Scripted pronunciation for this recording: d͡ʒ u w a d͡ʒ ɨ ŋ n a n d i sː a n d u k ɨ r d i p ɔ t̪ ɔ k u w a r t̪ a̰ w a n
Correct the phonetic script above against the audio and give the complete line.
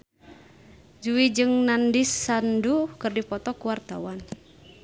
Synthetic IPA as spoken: d͡ʒ u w i d͡ʒ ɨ ŋ n a n d i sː a n d u k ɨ r d i p ɔ t̪ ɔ k u w a r t̪ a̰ w a n